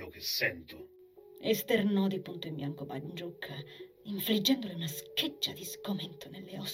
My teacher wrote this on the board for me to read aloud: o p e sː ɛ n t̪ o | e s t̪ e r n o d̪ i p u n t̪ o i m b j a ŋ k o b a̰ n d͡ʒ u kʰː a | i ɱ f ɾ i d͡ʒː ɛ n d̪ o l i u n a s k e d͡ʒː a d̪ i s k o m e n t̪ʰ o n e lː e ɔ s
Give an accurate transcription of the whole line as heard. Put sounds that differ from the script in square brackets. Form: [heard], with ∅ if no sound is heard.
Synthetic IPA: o [k] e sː ɛ n t̪ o | e s t̪ e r n [ɔ] d̪ i p u n t̪ o i m b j a ŋ k o b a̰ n d͡ʒ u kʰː a | i ɱ f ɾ i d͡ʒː ɛ n d̪ o l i u n a s k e d͡ʒː a d̪ i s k o m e n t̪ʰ o n e lː e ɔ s